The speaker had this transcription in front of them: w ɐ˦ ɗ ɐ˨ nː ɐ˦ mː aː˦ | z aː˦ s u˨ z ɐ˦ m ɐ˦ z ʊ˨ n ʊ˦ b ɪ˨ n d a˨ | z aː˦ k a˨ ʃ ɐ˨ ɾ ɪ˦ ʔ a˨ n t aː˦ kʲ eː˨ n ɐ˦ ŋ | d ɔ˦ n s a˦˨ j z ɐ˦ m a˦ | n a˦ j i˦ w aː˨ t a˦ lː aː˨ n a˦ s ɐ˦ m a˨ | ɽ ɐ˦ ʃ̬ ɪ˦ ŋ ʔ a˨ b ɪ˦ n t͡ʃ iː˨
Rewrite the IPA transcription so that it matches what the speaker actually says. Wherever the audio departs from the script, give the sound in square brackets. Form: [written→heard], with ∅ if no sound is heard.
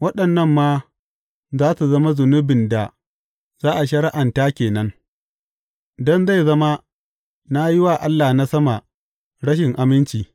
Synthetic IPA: w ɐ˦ ɗ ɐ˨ nː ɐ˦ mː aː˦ | z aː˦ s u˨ z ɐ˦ m [ɐ˦→a˦] z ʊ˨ n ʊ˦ b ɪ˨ n d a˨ | z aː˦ [k→ʔ] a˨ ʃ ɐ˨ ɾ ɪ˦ ʔ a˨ n t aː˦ kʲ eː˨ n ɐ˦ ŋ | d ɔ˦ n [s→z] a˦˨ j z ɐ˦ m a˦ | n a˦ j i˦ w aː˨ [t→ʔ] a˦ lː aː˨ n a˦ s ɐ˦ m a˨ | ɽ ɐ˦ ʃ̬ [ɪ˦→ɪ˨] ŋ ʔ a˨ [b→m] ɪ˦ n t͡ʃ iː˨